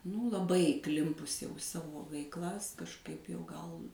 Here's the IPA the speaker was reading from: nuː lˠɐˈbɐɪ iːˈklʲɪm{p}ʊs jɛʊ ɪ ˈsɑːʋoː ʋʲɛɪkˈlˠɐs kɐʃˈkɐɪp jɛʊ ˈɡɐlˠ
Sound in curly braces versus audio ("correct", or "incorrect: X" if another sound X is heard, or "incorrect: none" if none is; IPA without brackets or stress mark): correct